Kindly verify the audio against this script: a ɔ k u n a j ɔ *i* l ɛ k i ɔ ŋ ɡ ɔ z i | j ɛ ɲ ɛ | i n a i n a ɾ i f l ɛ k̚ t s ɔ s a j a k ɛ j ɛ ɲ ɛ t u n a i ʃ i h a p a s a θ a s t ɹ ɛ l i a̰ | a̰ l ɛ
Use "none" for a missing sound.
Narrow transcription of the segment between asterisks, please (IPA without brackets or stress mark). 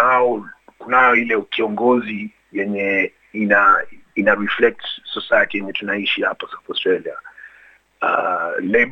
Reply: i